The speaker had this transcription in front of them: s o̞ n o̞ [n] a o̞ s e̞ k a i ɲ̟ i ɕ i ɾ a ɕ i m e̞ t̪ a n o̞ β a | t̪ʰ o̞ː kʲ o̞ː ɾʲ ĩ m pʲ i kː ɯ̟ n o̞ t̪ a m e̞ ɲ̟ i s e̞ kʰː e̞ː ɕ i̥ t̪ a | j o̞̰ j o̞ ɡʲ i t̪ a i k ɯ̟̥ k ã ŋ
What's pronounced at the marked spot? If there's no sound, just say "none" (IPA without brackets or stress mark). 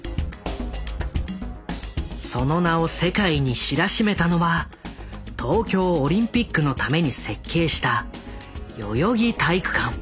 n